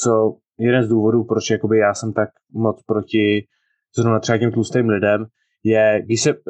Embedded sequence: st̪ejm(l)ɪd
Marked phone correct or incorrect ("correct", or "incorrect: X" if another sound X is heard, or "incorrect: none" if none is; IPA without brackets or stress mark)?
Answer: correct